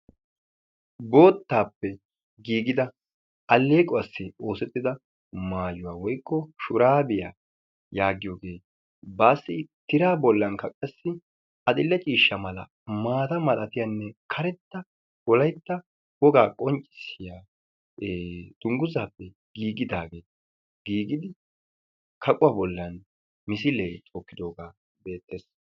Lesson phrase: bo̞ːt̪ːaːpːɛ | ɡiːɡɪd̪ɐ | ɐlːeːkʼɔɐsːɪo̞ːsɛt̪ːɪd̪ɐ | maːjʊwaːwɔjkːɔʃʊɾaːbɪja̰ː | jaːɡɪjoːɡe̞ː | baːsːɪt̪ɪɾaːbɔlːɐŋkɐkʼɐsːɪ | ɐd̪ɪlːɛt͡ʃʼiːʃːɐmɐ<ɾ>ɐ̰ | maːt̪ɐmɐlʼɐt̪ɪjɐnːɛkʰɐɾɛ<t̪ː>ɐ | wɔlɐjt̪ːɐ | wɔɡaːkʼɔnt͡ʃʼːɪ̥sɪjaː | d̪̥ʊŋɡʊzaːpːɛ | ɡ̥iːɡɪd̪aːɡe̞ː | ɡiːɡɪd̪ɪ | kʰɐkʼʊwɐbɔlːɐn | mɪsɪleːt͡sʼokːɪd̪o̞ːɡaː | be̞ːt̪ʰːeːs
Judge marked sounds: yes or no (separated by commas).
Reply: no, yes